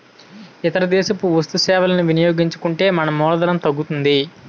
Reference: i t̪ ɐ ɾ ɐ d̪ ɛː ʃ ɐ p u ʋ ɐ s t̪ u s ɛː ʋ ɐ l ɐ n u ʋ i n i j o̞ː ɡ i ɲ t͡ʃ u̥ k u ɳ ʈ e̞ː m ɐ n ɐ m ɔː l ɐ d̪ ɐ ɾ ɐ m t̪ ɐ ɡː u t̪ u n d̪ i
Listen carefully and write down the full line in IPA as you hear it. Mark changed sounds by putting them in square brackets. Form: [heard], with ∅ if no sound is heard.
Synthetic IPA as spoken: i t̪ ɐ ɾ ɐ d̪ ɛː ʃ ɐ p u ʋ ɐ s t̪ u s ɛː ʋ ɐ l ɐ n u ʋ i n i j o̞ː ɡ i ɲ t͡ʃ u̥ k u ɳ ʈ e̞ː m ɐ n ɐ m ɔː l ɐ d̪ ɐ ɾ ɐ m t̪ ɐ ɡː u t̪ u n d̪ i